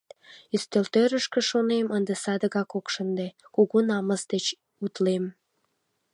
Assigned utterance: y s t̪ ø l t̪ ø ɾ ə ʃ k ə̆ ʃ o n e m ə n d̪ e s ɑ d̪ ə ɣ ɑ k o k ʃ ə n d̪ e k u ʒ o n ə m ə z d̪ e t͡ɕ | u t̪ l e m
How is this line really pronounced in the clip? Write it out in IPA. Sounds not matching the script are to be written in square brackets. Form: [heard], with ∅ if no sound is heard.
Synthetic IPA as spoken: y s t̪ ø l t̪ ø ɾ ə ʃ k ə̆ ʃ o n e m ə n d̪ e s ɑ d̪ ə ɣ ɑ k o k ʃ ə n d̪ e k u [ɣ] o n [ɑ] m ə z d̪ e t͡ɕ | u t̪ l e m